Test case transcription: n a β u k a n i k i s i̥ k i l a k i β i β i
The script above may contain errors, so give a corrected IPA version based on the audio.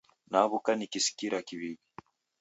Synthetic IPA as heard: n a β u k a n i k i s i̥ k i ɾ a k i β i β i